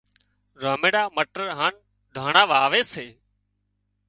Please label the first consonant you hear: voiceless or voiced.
voiced